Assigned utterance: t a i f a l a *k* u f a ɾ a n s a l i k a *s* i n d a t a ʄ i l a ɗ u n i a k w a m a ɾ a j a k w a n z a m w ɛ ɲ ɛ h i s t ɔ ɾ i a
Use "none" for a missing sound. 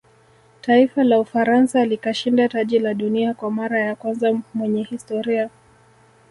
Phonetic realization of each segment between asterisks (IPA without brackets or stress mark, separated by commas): none, ʃ